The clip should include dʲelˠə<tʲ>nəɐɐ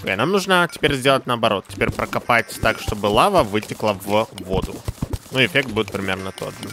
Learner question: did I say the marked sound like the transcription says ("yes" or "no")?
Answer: yes